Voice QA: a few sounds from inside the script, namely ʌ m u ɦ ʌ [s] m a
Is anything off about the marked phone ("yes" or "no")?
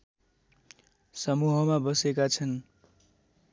yes